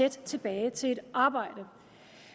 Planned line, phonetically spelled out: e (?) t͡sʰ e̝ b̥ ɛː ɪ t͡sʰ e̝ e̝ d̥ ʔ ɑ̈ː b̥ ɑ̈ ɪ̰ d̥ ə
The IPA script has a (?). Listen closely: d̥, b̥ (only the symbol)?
d̥